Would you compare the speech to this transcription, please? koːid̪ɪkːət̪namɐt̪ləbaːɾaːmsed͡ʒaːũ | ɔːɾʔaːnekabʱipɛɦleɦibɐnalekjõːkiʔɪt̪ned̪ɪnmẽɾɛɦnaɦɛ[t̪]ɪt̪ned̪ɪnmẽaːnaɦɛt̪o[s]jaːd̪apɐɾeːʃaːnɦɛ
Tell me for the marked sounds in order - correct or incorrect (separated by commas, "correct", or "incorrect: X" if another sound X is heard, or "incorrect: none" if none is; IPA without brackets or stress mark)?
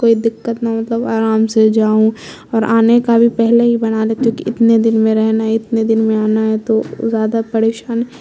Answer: incorrect: none, incorrect: z